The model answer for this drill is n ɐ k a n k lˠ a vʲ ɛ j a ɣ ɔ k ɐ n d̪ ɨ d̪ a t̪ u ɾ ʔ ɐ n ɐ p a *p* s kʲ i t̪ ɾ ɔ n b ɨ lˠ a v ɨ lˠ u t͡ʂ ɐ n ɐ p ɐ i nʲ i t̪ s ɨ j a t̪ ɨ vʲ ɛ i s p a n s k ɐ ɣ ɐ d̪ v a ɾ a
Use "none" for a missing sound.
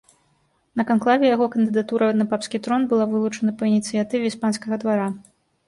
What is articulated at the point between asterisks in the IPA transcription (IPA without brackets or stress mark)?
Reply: p